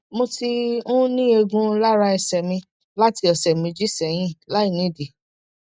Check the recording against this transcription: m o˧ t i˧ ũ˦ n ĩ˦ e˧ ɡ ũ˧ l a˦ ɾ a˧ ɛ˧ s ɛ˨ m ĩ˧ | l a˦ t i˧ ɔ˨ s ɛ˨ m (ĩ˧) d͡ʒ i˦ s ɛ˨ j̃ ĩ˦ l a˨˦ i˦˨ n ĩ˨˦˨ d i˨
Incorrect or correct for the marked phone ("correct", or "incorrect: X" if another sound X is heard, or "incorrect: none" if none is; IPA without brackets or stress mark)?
correct